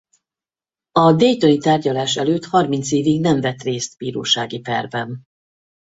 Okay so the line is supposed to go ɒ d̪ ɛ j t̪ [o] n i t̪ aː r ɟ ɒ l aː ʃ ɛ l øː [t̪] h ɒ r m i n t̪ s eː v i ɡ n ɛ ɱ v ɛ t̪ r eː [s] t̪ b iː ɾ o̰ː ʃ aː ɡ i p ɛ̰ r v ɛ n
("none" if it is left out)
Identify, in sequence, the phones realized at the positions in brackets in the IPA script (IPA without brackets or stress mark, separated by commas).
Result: o, t̪, s